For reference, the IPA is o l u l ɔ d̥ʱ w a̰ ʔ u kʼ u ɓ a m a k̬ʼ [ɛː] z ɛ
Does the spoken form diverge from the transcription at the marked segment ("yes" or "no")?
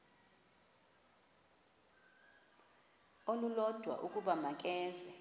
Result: no